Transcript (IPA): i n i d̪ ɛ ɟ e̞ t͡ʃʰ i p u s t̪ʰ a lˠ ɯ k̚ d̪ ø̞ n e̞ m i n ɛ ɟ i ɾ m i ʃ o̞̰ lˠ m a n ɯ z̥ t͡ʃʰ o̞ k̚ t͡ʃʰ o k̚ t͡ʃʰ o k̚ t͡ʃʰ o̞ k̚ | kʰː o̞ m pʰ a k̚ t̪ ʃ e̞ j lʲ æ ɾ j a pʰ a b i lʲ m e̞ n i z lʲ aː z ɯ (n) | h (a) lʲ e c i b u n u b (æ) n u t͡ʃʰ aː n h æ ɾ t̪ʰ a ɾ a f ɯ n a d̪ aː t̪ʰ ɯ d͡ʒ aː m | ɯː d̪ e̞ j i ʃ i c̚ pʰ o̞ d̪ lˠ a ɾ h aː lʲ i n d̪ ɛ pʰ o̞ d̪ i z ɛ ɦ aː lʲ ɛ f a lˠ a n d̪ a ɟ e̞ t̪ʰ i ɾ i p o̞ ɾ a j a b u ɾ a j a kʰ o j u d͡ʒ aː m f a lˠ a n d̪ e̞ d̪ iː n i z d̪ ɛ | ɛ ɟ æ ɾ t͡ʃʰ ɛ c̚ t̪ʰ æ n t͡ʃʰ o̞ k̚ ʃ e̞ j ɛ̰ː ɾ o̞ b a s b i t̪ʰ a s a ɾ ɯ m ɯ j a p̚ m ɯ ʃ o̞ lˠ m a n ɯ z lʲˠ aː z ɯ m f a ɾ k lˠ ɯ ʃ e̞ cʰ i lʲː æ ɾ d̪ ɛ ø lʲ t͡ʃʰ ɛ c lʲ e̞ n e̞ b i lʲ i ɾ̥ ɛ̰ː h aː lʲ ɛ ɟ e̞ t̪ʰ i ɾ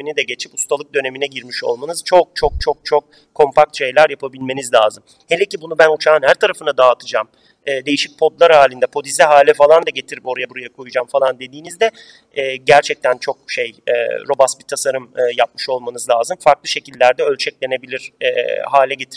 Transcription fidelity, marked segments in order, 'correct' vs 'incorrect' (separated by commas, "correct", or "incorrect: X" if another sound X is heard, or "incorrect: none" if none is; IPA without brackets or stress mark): incorrect: m, incorrect: e, correct